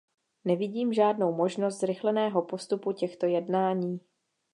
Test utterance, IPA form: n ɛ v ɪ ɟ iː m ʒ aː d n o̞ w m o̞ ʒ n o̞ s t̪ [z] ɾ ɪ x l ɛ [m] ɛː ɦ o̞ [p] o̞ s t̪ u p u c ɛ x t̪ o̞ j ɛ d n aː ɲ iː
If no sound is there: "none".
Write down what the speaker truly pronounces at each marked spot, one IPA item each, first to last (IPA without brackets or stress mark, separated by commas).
z, n, p